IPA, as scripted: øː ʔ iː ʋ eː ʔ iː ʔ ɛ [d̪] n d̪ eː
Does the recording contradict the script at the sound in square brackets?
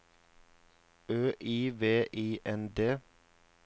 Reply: yes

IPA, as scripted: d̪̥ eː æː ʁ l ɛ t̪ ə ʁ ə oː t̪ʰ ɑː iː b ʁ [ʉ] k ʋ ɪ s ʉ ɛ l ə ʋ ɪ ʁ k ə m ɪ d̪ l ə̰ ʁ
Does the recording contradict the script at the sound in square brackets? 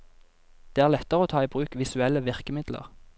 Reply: yes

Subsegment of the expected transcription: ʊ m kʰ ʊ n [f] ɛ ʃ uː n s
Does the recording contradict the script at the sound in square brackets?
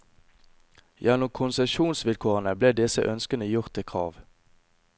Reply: yes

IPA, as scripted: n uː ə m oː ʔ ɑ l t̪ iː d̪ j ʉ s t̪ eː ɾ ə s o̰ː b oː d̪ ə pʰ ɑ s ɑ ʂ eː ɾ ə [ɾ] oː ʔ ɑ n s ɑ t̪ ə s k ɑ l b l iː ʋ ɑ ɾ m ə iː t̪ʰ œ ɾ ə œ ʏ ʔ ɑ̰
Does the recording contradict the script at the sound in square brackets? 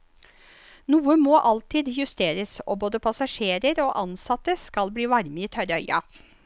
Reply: no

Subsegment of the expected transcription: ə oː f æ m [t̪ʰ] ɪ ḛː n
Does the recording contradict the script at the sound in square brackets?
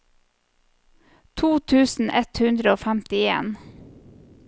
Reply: yes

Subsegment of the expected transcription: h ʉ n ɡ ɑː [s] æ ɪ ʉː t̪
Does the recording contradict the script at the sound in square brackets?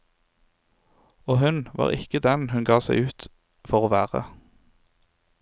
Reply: no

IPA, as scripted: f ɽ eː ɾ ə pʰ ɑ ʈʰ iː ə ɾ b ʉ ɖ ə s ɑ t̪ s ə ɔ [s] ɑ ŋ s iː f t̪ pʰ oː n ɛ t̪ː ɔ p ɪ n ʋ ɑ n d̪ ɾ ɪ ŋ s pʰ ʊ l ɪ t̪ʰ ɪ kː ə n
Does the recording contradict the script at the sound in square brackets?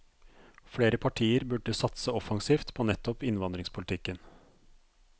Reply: yes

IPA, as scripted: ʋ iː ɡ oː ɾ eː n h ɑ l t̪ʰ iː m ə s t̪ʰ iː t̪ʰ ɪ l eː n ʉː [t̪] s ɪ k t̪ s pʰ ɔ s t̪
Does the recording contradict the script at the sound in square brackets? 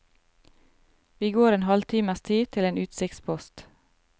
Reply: no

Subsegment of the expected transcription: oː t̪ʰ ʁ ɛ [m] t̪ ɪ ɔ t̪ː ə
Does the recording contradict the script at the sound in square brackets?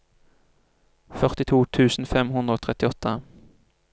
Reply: yes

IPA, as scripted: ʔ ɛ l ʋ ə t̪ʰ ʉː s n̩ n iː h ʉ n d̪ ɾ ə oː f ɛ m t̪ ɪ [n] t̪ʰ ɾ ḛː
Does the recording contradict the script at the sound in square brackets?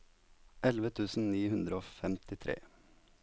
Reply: yes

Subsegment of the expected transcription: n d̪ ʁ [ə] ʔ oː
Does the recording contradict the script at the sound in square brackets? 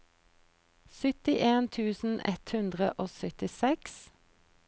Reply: no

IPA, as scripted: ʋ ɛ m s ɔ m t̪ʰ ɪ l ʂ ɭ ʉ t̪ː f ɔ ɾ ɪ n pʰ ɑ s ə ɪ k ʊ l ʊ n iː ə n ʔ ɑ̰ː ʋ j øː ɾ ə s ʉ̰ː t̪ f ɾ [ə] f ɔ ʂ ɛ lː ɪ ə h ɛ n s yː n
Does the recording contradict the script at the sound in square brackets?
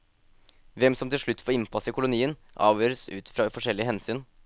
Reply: yes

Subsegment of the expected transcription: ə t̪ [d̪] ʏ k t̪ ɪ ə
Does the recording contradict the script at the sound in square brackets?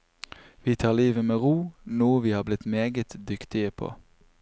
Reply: no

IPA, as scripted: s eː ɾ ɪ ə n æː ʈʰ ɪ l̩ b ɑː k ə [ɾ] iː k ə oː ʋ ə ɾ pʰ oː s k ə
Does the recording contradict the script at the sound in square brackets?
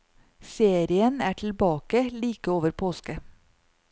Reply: yes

